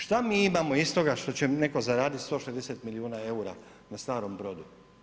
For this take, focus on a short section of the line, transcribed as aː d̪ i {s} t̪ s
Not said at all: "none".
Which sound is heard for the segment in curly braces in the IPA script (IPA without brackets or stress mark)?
none